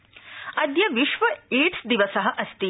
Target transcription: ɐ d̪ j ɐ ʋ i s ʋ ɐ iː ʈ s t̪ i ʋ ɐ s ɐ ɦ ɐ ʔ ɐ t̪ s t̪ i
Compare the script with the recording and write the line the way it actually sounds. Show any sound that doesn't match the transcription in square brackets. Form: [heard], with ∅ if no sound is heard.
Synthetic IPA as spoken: ɐ d̪ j ɐ ʋ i [ʃ] ʋ ɐ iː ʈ s [d̪] i ʋ ɐ s ɐ ɦ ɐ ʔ ɐ [∅] s t̪ i